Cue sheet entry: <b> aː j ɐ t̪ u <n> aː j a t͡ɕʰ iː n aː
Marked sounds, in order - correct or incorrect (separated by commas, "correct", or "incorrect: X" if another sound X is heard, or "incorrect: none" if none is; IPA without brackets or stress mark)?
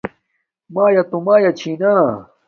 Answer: incorrect: m, incorrect: m